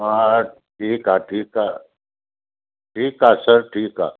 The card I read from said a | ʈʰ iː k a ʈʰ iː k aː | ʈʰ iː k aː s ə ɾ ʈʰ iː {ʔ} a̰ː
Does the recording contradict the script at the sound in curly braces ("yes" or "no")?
yes